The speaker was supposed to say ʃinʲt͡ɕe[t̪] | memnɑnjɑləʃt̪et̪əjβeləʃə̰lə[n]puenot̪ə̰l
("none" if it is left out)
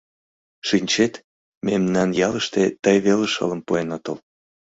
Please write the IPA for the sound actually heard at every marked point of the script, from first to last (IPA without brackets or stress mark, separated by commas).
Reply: t̪, m